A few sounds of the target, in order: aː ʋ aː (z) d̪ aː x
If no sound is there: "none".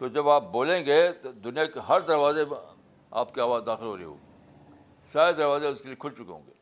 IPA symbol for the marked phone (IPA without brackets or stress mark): z